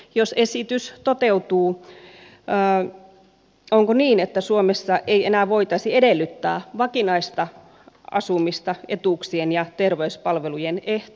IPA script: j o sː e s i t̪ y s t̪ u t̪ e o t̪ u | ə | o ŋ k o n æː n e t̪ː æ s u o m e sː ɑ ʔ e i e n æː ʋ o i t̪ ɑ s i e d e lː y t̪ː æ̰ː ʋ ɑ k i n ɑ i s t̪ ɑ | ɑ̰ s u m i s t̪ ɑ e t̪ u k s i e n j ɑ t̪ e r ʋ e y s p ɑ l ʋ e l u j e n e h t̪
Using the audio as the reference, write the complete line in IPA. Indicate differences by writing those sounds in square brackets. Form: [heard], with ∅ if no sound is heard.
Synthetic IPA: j o [s] e s i t̪ y s t̪ [o] t̪ e [u] t̪ [uː] | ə | o ŋ k o n [iː] n e t̪ː æ s u o m e sː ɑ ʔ e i e n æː ʋ o i t̪ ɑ s i e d e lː y t̪ː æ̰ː ʋ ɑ k i n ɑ i s t̪ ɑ | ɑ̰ s u m i s t̪ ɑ e t̪ u k s i e n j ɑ t̪ e r ʋ e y s p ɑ l ʋ e l u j e n e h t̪

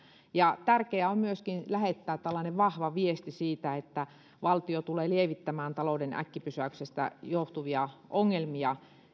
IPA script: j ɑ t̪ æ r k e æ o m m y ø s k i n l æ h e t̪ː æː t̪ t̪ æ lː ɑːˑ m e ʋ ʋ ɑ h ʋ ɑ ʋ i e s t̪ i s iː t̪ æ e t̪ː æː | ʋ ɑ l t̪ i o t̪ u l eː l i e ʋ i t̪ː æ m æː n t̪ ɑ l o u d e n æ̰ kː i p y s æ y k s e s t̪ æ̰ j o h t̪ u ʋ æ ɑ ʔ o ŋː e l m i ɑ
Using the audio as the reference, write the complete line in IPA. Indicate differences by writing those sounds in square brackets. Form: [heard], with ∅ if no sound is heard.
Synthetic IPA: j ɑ t̪ æ r k e æ o m m y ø s k i n l æ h e t̪ː æː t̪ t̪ æ lː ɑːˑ [n] e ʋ ʋ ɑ h ʋ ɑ ʋ i e s t̪ i s iː t̪ æ e t̪ː [æ] | ʋ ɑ l t̪ i o t̪ u l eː l i e ʋ i t̪ː æ m æː n t̪ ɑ l o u d e n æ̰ kː i p y s æ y k s e s t̪ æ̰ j o h t̪ u ʋ [i] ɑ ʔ o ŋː e l m i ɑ

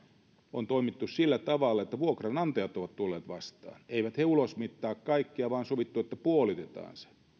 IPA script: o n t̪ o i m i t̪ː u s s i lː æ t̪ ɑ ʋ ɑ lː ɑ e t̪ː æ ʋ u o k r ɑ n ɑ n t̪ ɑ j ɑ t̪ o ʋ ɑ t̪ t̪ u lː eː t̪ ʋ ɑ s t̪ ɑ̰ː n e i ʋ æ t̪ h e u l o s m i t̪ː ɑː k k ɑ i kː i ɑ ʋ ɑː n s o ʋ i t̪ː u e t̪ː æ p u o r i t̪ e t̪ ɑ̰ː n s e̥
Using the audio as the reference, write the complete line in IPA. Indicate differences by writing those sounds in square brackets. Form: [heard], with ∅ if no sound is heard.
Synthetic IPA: o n t̪ o i m i t̪ː u s s i lː æ t̪ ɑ ʋ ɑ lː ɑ e t̪ː æ ʋ u o k r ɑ n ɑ n t̪ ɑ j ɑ t̪ o ʋ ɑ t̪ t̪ u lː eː t̪ ʋ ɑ s t̪ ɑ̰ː n e i ʋ æ t̪ h e u l o s m i t̪ː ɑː k k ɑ i kː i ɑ ʋ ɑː n s o ʋ i t̪ː u e t̪ː æ p u o [l] i t̪ e t̪ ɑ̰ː n s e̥

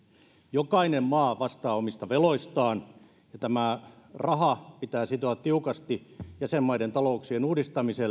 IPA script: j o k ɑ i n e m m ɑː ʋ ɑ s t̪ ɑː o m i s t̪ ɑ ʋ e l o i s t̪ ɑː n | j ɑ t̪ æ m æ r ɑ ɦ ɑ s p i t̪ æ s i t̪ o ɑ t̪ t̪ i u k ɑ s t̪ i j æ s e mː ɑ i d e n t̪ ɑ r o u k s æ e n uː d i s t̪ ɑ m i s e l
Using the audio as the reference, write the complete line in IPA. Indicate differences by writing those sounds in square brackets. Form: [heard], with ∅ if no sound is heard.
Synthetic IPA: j o k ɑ i n e m m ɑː ʋ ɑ s t̪ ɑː o m i s t̪ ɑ ʋ e l o i s t̪ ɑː n | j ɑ t̪ æ m æ r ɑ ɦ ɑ [∅] p i t̪ [æː] s i t̪ o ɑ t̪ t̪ i u k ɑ s t̪ i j æ s e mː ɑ i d e n t̪ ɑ [l] o u k s [i] e n uː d i s t̪ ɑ m i s e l

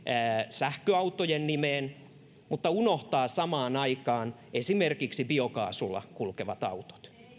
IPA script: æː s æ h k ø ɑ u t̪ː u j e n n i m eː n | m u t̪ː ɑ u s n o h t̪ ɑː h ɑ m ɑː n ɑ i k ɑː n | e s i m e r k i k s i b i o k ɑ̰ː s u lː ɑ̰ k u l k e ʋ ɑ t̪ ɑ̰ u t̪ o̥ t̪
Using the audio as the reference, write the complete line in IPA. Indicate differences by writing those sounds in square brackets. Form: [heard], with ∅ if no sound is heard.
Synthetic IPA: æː s æ h k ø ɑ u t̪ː [o] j e n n i m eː n | m u t̪ː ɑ u [∅] n o h t̪ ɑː [s] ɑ m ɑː n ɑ i k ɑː n | e s i m e r k i k s i b i o k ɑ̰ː s u lː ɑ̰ k u l k e ʋ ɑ t̪ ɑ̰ u t̪ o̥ t̪

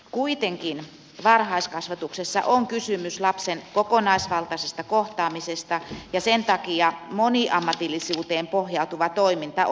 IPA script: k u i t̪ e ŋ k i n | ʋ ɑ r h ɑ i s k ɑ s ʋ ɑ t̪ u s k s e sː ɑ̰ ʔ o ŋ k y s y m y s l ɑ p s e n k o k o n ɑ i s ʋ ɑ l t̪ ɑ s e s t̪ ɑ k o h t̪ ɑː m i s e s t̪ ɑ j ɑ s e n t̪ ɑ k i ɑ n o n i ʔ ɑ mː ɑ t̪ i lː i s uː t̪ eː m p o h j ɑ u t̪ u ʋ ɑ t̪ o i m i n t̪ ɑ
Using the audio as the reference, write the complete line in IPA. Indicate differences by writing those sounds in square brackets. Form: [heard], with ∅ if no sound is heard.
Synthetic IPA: k u i t̪ e ŋ k i n | ʋ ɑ r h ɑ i s k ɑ s ʋ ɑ t̪ u [∅] k s e sː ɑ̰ ʔ o ŋ k y s y m y s l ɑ p s e n k o k o n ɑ i s ʋ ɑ l t̪ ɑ s e s t̪ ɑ k o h t̪ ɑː m i s e s t̪ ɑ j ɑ s e n t̪ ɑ k i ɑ [m] o n i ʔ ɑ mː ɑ t̪ i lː i s uː t̪ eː m p o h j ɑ u t̪ u ʋ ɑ t̪ o i m i n t̪ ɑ

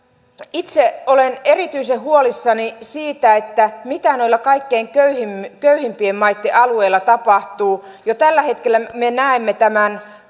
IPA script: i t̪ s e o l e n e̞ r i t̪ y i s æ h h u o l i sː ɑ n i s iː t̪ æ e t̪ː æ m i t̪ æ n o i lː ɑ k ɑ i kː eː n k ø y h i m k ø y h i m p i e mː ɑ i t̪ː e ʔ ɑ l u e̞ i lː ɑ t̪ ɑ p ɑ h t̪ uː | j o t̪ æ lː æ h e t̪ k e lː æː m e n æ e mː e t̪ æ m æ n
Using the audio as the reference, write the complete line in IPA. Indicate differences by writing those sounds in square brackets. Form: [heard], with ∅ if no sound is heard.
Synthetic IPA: i t̪ s e o l e n e̞ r i t̪ y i s [e] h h u o l i sː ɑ n i s iː t̪ æ e t̪ː æ m i t̪ æ n o i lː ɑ k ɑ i kː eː [ŋ] k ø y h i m k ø y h i m p i e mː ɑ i t̪ː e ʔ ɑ l u e̞ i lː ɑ t̪ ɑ p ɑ h t̪ uː | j o t̪ æ lː æ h e t̪ k e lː [æ] m e n æ e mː e t̪ æ m æ n

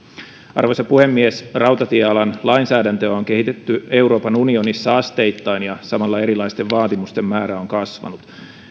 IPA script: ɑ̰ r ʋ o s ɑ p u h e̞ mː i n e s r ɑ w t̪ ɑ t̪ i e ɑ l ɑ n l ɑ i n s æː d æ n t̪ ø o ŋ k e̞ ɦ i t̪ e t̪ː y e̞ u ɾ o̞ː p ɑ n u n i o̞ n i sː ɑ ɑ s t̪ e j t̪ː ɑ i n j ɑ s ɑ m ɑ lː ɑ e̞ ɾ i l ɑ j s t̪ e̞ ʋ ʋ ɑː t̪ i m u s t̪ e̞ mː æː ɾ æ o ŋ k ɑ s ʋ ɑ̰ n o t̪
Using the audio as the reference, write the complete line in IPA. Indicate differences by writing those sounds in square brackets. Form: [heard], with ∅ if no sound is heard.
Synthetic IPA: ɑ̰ r ʋ o s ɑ p u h e̞ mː i [∅] e s r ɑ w t̪ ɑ t̪ i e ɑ l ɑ n l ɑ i n s æː d æ n t̪ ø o ŋ k e̞ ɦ i t̪ e t̪ː y e̞ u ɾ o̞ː p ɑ n u n i o̞ n i sː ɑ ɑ s t̪ e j t̪ː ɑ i n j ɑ s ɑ m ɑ lː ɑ e̞ ɾ i l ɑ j s t̪ e̞ ʋ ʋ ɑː t̪ i m u s t̪ e̞ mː æː ɾ æ o ŋ k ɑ s ʋ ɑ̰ n [u] t̪

